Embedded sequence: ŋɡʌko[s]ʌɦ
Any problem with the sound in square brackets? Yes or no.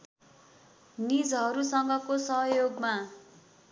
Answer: no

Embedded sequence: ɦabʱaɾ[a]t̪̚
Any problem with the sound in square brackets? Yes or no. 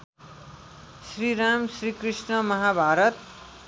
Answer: yes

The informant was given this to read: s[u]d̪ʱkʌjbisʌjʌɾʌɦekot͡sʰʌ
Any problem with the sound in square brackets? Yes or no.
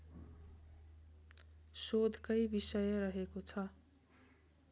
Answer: yes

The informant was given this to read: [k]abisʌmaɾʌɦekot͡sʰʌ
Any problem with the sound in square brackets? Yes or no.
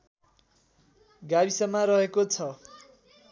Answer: yes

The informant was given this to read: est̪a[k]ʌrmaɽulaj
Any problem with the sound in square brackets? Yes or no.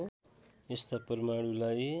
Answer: yes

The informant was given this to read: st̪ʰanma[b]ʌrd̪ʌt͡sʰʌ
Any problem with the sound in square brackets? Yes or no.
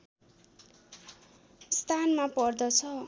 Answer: yes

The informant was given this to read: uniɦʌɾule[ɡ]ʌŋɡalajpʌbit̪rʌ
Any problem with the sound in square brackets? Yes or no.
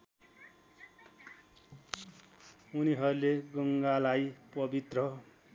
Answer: no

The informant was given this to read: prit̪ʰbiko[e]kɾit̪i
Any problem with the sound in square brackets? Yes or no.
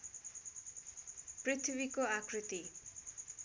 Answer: yes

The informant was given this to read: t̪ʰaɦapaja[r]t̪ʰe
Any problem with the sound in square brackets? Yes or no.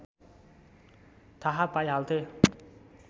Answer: yes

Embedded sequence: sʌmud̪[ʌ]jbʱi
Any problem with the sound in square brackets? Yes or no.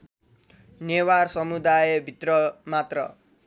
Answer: yes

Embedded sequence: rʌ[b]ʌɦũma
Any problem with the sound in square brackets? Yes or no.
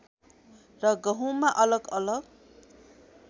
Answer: yes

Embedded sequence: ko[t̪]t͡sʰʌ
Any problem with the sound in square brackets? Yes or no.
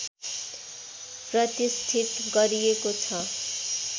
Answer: yes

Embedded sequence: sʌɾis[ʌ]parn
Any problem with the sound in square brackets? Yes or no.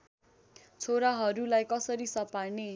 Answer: no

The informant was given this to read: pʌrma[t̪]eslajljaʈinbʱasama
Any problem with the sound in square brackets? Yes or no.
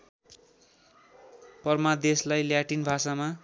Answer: yes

